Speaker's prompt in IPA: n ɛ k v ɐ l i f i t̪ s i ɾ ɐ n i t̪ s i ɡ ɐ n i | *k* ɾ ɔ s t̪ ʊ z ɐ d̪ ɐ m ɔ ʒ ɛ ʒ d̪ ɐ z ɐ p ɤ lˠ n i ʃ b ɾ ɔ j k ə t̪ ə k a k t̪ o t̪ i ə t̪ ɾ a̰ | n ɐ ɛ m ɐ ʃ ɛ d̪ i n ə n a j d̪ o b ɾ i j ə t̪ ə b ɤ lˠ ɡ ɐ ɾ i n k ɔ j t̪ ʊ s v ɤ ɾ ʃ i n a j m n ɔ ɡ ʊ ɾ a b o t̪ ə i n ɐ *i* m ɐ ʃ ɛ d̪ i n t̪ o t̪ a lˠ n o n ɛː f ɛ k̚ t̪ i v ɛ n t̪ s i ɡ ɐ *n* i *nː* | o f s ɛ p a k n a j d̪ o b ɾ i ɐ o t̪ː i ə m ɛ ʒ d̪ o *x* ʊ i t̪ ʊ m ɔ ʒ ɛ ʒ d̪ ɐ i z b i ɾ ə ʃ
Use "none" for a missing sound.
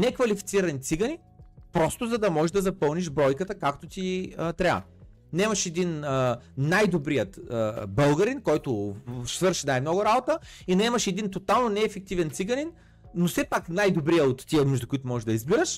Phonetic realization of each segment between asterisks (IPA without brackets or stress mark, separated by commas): p, ɛ, n, nː, k